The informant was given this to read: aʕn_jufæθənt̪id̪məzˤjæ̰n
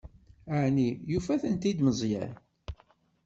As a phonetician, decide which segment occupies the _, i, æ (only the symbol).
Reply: i